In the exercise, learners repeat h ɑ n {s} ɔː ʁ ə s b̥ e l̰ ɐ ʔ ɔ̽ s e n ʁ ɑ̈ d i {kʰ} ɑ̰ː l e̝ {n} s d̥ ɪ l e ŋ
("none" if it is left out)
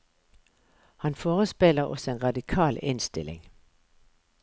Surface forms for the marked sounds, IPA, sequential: f, kʰ, n

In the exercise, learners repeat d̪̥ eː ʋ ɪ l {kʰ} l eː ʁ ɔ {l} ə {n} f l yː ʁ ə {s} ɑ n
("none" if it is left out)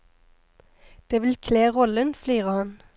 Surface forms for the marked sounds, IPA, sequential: kʰ, l, n, h

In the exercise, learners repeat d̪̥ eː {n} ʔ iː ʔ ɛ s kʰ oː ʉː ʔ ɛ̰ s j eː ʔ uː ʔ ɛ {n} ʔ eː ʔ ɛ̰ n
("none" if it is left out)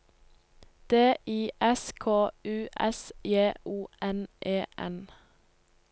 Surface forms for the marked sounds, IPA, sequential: none, n

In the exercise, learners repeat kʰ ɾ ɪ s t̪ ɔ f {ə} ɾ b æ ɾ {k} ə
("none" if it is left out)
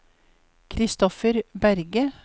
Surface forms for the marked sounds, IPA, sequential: ə, ɡ

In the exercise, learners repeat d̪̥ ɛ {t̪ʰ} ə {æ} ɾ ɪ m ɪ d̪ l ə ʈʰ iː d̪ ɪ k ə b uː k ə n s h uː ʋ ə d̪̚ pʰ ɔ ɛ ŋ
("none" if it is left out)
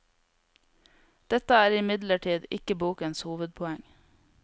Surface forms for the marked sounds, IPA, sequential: t̪, æː

